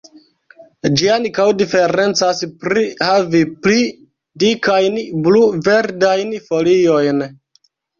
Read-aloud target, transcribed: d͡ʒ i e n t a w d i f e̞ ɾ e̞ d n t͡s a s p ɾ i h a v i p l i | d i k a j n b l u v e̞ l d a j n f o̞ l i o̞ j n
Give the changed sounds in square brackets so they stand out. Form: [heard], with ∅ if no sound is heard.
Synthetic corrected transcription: d͡ʒ i [a] n [k] a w d i f e̞ ɾ e̞ [∅] n t͡s a s p ɾ i h a v i p l i | d i k a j n b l u v e̞ [ɾ] d a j n f o̞ l i o̞ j n

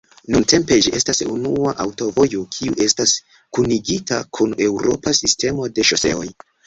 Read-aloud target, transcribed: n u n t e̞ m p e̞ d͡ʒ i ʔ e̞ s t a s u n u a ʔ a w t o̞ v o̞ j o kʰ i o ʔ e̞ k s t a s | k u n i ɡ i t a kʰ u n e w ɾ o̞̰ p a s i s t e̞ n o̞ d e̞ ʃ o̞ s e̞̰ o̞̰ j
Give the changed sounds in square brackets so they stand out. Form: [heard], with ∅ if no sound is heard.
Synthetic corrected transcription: n u n t e̞ m p e̞ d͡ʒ i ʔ e̞ s t a s u n u a ʔ a w t o̞ v o̞ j o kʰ i [u] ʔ e̞ [∅] s t a s | k u n i ɡ i t a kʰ u n e w ɾ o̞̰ p a s i s t e̞ [m] o̞ d e̞ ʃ o̞ s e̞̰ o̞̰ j

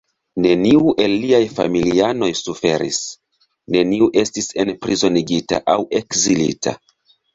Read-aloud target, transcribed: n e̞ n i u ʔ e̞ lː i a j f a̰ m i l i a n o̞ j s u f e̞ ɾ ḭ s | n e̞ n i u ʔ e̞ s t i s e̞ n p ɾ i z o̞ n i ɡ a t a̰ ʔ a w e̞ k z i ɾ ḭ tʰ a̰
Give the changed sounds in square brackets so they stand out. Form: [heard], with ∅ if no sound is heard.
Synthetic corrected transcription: n e̞ n i u ʔ e̞ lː i a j f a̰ m i l i a n o̞ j s u f e̞ ɾ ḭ s | n e̞ n i u ʔ e̞ s t i s e̞ n p ɾ i z o̞ n i ɡ [i] t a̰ ʔ a w e̞ k z i [l] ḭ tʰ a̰

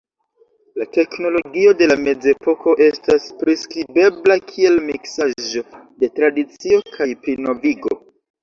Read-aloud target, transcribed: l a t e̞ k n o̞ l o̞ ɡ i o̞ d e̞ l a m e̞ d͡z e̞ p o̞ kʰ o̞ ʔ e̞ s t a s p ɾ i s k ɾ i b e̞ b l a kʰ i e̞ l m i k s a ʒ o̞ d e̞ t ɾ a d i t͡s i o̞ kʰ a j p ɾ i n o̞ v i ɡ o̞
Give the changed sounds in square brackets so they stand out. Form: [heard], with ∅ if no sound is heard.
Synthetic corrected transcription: l a t e̞ k n o̞ l o̞ ɡ i o̞ d e̞ l a m e̞ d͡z e̞ p o̞ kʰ o̞ ʔ e̞ s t a s p ɾ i s k ɾ i b e̞ b l a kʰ i e̞ l m i k s a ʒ o̞ d e̞ t ɾ a d i t͡s i o̞ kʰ a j p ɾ i n o̞ v i ɡ o̞

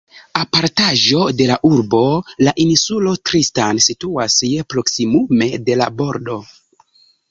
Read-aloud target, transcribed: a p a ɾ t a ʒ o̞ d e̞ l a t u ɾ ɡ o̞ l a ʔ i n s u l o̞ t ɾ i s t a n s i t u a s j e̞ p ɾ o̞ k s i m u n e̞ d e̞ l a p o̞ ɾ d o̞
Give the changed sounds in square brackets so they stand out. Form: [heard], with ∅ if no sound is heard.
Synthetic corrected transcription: a p a ɾ t a ʒ o̞ d e̞ l a [ʔ] u ɾ [b] o̞ l a ʔ i n s u l o̞ t ɾ i s t a n s i t u a s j e̞ p ɾ o̞ k s i m u [m] e̞ d e̞ l a [b] o̞ ɾ d o̞

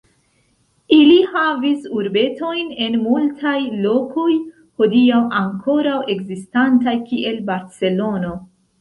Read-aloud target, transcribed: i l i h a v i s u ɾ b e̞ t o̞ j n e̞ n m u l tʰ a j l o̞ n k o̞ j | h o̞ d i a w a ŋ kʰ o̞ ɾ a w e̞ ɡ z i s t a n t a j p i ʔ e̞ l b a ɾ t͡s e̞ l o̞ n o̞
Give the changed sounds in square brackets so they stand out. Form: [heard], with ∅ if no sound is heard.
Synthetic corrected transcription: i l i h a v i s u ɾ b e̞ t o̞ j n e̞ n m u l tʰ a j l o̞ [∅] k o̞ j | h o̞ d i a w a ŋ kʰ o̞ ɾ a w e̞ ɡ z i s t a n t a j [k] i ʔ e̞ l b a ɾ t͡s e̞ l o̞ n o̞

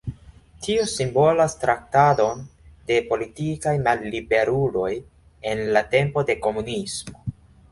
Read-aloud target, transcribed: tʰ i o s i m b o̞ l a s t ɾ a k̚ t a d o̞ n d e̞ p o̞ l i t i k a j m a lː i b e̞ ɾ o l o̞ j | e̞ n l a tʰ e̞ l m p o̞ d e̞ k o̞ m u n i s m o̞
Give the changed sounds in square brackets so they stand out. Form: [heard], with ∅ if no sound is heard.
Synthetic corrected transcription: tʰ i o s i m b o̞ l a s t ɾ a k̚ t a d o̞ n d e̞ p o̞ l i t i k a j m a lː i b e̞ ɾ [u] l o̞ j | e̞ n l a [t] e̞ [∅] m p o̞ d e̞ k o̞ m u n i s m o̞

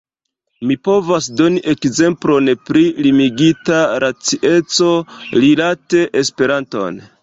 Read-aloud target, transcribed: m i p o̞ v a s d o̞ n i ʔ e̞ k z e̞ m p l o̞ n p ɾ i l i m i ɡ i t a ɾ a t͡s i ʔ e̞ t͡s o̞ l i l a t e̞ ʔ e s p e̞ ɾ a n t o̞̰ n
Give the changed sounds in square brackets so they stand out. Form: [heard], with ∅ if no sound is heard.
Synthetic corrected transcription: m i p o̞ v a s d o̞ n i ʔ e̞ k z e̞ m p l o̞ n p ɾ i l i m i ɡ i t a ɾ a t͡s i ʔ e̞ t͡s o̞ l i l a t e̞ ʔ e s p e̞ ɾ a n t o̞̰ n

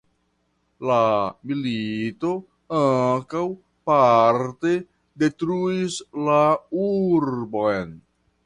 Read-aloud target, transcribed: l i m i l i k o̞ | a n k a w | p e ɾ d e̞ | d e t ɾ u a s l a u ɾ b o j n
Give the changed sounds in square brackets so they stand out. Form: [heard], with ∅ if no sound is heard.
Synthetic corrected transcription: l [a] m i l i [t] o̞ | a [ŋ] k a w | p [a] ɾ [t] e̞ | d e t ɾ u [i] s l a u ɾ b o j n

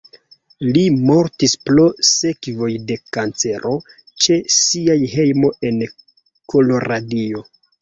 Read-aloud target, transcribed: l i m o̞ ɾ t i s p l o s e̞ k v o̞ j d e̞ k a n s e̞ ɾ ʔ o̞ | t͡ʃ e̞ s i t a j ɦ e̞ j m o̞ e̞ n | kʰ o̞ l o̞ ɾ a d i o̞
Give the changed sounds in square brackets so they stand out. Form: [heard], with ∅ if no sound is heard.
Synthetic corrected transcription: l i m o̞ ɾ t i s p l o s e̞ k v o̞ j d e̞ k a n [t͡s] e̞ ɾ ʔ o̞ | t͡ʃ e̞ s i [∅] a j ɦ e̞ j m o̞ e̞ n | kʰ o̞ l o̞ ɾ a d i o̞

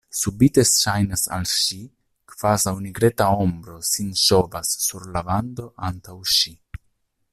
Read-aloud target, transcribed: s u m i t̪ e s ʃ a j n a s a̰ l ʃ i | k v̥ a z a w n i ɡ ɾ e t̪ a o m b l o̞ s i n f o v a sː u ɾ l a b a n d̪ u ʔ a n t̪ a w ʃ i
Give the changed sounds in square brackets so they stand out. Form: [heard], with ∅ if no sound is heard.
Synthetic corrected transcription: s u [b] i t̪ e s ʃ a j n a s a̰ l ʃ i | k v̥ a z a w n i ɡ ɾ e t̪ a o m b [ɾ] o̞ s i n [ʃ] o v a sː u ɾ l a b a n d̪ [o] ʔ a n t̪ a w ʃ i

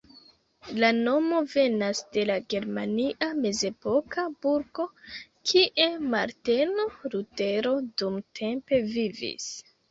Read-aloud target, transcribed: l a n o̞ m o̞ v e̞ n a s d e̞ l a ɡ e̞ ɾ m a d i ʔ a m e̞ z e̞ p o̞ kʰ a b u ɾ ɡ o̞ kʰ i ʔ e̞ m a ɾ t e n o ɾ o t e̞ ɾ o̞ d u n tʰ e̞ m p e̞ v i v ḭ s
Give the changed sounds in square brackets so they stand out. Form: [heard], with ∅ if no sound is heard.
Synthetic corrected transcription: l a n o̞ m o̞ v e̞ n a s d e̞ l a ɡ e̞ ɾ m a [n] i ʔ a m e̞ z e̞ p o̞ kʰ a b u ɾ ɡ o̞ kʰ i ʔ e̞ m a ɾ t e n o ɾ [u] t e̞ ɾ o̞ d u [m] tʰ e̞ m p e̞ v i v ḭ s

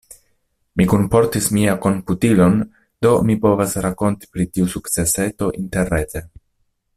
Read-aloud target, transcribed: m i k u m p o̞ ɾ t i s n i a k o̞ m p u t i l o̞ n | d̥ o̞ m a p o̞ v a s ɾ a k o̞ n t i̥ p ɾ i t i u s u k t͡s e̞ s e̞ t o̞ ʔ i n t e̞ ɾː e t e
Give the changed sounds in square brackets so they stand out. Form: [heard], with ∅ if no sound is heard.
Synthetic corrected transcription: m i k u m p o̞ ɾ t i s [m] i a k o̞ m p u t i l o̞ n | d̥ o̞ m [i] p o̞ v a s ɾ a k o̞ n t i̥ p ɾ i t i u s u k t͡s e̞ s e̞ t o̞ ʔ i n t e̞ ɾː e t e

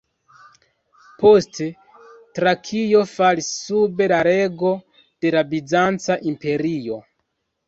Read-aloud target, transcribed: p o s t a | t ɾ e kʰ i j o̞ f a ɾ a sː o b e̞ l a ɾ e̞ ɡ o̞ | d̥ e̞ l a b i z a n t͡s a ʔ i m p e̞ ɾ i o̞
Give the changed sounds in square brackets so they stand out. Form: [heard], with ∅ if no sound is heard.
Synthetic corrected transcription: p o s t [e] | t ɾ [a] kʰ i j o̞ f a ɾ [i] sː [u] b e̞ l a ɾ e̞ ɡ o̞ | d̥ e̞ l a b i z a n t͡s a ʔ i m p e̞ ɾ i o̞

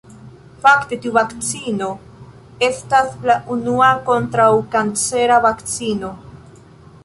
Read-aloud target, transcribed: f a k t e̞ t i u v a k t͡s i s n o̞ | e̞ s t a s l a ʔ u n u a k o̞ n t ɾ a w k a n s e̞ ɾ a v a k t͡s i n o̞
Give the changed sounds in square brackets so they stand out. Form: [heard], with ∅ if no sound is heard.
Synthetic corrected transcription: f a k t e̞ t i u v a k t͡s i [∅] n o̞ | e̞ s t a s l a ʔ u n u a k o̞ n t ɾ a w k a n [t͡s] e̞ ɾ a v a k t͡s i n o̞

